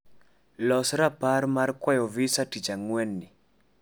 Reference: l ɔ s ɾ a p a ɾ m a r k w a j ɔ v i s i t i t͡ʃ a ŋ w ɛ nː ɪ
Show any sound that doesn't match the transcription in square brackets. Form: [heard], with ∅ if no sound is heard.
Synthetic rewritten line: l ɔ s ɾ a p a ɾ m a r k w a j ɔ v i s [a] t i t͡ʃ a ŋ w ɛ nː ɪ

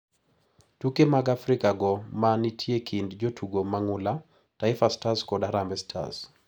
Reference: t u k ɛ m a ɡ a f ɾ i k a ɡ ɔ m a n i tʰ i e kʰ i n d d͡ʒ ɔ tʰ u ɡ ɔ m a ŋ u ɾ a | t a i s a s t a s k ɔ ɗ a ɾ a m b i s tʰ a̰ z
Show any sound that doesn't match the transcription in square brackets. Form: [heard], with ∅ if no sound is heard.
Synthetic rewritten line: t u k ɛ m a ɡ a f ɾ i k a ɡ ɔ m a n i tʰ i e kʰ i n d d͡ʒ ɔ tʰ u ɡ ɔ m a ŋ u [l] a | t a i [f] a s t a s k ɔ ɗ a ɾ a m b [ɛ] s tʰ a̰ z

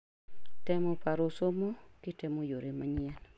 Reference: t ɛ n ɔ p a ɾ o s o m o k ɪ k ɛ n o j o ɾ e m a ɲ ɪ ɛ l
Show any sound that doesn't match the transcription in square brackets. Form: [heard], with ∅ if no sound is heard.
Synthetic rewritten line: t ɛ [m] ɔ p a ɾ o s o m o k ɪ [t] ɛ [m] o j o ɾ e m a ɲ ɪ ɛ l

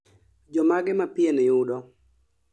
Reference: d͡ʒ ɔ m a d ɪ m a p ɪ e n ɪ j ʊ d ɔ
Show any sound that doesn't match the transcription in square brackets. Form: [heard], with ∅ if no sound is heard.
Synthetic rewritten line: d͡ʒ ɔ m a [ɡ] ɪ m a p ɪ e n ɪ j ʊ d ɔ

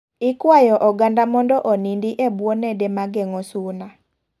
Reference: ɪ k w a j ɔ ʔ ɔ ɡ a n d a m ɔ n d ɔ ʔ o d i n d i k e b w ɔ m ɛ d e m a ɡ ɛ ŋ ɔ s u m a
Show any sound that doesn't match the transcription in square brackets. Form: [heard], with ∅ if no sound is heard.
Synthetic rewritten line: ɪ k w a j ɔ ʔ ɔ ɡ a n d a m ɔ n d ɔ ʔ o [n] i n d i [ʔ] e b w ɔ [n] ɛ d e m a ɡ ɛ ŋ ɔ s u [n] a

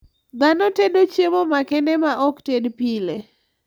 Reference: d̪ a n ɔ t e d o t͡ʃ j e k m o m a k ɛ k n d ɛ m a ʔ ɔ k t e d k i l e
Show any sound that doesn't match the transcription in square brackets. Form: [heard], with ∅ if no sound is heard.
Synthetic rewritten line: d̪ a n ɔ t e d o t͡ʃ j e [∅] m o m a k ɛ [∅] n d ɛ m a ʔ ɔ k t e d [p] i l e

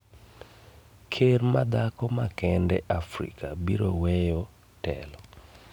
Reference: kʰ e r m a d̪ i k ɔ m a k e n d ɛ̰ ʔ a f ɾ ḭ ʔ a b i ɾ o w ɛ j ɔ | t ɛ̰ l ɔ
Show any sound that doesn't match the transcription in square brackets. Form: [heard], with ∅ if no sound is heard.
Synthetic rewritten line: kʰ e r m a d̪ [a] k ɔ m a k [ɛ] n d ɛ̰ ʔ a f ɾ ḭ [k] a b i ɾ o w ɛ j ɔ | t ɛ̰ l ɔ

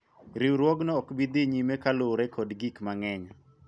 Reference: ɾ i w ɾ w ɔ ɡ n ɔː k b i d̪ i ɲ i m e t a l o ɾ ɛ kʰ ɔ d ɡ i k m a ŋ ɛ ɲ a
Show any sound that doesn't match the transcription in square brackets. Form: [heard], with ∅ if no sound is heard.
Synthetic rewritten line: ɾ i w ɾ w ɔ ɡ n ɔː k b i d̪ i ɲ i m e [k] a l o ɾ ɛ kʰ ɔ d ɡ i k m a ŋ ɛ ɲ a

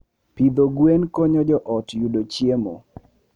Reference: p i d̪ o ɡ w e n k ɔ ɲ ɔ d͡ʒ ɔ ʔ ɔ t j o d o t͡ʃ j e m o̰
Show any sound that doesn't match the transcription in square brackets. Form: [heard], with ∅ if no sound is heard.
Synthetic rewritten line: p i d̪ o ɡ w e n k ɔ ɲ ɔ d͡ʒ ɔ ʔ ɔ t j [u] d o t͡ʃ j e m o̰

